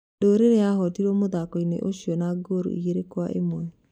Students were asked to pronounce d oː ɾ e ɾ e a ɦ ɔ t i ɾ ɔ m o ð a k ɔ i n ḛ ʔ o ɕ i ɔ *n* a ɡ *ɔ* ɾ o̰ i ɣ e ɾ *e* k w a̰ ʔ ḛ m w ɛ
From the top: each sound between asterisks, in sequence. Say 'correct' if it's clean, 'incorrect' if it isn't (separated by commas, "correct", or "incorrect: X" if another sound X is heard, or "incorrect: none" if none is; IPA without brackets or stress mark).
correct, incorrect: o, correct